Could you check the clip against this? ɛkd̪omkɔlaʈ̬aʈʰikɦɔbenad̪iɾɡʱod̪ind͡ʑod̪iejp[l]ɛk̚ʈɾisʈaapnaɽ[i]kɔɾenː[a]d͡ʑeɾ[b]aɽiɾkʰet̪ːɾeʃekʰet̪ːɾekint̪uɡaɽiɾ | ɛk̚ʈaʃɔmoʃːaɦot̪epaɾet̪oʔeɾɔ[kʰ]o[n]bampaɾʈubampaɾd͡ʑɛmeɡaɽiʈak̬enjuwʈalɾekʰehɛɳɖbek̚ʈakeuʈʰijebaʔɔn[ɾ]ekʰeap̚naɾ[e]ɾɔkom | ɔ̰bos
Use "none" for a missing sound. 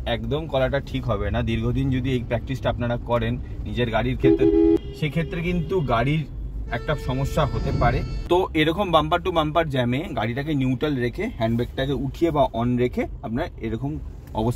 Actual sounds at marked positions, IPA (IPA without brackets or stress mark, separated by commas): ɾ, a, i, ɡ, k, m, ɾ, e